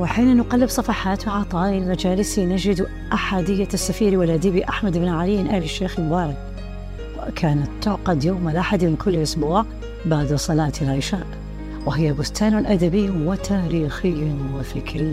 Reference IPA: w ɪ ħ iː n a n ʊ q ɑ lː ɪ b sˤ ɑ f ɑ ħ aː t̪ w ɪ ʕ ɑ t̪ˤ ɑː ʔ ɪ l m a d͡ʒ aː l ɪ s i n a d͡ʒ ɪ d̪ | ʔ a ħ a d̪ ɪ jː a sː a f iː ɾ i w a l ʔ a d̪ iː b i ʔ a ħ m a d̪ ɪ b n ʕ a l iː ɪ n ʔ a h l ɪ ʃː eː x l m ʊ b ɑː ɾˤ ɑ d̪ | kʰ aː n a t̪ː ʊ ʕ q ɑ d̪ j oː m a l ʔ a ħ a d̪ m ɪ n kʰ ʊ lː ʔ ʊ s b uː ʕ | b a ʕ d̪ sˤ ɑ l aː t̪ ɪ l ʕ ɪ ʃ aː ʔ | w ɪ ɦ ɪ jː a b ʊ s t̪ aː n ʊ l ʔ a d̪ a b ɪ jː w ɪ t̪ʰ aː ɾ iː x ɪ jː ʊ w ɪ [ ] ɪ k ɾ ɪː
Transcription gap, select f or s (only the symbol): f